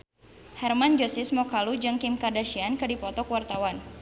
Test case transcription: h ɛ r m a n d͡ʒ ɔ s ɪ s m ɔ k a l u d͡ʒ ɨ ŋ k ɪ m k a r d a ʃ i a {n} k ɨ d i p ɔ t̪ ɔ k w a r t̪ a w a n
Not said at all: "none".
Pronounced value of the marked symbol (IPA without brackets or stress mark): n